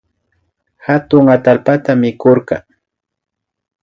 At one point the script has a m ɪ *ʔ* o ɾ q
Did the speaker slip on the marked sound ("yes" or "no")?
yes